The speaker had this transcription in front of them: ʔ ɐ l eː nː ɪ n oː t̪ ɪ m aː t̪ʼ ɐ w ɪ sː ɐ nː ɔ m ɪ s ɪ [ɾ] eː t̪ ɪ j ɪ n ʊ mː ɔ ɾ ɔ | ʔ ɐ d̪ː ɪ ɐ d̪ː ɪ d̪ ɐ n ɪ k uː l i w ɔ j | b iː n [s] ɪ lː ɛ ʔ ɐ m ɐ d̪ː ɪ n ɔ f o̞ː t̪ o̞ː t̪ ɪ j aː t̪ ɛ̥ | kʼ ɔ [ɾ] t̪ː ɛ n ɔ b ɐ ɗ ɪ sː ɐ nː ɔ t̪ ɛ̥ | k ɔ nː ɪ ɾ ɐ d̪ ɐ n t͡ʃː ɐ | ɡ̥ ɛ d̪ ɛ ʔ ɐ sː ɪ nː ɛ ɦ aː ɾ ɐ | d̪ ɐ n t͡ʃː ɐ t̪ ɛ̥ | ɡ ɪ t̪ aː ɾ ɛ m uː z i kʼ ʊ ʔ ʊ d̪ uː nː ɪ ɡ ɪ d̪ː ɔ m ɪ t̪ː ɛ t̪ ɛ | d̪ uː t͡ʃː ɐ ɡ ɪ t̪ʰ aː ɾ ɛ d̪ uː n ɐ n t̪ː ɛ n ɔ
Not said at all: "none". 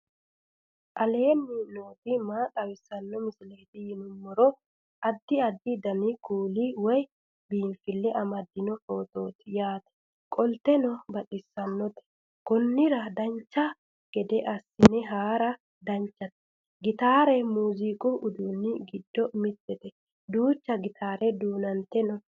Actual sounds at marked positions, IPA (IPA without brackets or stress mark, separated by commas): l, f, l